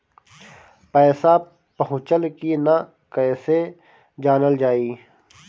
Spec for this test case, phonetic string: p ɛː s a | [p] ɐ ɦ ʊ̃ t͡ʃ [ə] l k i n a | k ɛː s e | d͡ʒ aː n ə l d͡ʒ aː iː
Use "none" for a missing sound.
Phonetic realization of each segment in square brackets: p, ə

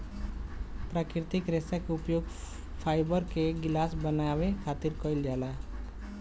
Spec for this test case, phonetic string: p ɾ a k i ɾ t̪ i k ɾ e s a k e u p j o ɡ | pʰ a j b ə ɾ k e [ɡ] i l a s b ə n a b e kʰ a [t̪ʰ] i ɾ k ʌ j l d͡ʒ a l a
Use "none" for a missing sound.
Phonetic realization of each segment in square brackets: ɡ, t̪

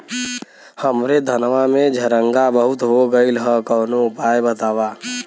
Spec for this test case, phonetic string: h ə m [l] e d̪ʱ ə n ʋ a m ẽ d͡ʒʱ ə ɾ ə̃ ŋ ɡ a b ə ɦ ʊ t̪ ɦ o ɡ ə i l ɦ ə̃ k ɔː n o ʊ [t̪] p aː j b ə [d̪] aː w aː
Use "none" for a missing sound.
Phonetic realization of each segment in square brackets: ɾ, none, t̪

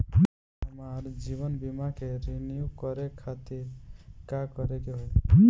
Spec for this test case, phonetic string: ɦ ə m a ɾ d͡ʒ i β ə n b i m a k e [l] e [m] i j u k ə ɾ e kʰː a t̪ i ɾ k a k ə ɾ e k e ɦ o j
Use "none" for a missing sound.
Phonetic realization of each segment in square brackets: ɾ, n

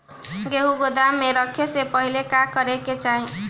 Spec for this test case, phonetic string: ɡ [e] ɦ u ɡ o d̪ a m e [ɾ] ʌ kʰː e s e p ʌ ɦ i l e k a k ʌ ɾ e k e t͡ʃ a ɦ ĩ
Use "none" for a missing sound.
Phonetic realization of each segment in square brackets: e, ɾ

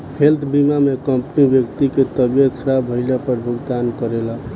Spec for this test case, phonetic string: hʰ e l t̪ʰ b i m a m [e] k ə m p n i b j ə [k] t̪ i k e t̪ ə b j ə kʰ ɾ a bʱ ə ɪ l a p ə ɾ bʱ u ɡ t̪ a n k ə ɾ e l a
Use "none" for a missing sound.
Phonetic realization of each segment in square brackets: e, k

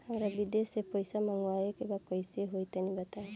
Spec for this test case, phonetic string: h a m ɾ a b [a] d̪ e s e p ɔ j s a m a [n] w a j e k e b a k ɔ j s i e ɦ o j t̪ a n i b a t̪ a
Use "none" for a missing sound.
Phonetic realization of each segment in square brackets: i, ŋ

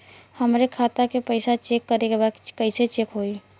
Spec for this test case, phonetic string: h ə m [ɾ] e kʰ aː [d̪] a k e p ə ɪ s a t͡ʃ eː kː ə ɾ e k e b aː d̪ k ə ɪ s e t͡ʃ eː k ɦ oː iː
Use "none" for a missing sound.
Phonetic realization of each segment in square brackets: ɾ, t̪

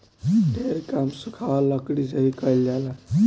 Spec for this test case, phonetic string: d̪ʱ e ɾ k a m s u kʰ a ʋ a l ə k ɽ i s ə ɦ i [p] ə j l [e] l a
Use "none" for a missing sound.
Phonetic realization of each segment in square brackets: k, a

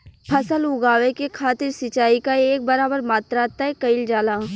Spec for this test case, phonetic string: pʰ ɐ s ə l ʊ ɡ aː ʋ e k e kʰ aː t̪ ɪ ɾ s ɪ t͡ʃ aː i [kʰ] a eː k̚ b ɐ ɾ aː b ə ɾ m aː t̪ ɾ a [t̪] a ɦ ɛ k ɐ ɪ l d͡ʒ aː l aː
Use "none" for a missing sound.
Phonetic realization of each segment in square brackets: k, t̪

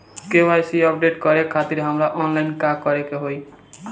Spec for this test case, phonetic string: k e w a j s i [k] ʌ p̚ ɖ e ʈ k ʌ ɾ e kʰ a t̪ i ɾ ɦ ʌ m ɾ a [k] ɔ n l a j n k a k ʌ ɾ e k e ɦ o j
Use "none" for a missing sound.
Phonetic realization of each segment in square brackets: none, ʔ

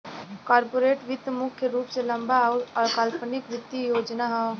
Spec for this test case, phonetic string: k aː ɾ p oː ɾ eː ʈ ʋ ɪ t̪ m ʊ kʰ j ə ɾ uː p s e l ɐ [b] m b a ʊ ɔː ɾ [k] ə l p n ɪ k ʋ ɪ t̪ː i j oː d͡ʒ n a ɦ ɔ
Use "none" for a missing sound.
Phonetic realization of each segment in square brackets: none, k

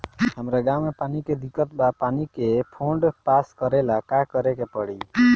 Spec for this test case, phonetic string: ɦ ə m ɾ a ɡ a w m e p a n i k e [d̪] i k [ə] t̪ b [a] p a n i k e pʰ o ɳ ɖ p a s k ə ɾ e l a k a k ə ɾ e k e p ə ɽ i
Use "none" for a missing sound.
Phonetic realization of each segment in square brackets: d̪, ə, a

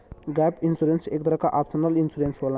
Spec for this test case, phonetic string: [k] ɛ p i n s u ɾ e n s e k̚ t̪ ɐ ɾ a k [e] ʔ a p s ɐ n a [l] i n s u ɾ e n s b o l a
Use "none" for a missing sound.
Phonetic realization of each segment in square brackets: ɡ, a, l

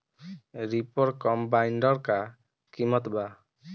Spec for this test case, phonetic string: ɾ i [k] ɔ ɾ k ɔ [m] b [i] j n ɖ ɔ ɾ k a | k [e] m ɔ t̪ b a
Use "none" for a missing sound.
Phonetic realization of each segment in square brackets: p, m, a, i

